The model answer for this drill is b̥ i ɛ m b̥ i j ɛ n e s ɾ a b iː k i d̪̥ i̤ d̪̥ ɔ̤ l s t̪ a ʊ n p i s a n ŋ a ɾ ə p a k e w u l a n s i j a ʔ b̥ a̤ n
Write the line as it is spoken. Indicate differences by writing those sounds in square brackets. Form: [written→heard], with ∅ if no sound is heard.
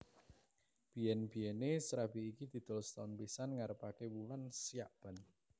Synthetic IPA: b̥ i ɛ [m→n] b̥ i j ɛ n e s ɾ a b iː k i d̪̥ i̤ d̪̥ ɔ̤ l s t̪ a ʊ n p i s a n ŋ a ɾ ə p a k e w u l a n s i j a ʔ b̥ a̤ n